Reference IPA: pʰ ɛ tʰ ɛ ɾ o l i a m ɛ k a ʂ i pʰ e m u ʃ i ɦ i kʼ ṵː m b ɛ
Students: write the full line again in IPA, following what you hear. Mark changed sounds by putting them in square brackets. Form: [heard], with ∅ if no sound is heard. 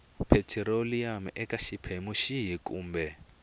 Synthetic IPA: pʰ ɛ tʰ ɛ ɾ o l i a m ɛ k a [ʃ] i pʰ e m u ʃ i ɦ i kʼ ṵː m b ɛ

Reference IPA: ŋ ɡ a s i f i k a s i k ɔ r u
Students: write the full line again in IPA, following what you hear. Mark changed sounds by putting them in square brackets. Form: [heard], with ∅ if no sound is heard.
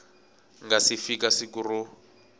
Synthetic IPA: ŋ ɡ a s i f i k a s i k [u] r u

